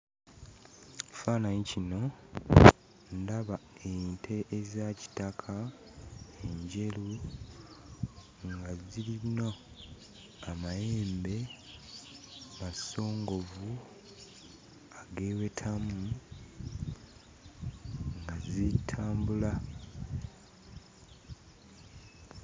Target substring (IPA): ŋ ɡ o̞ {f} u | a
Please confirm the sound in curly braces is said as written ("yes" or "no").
no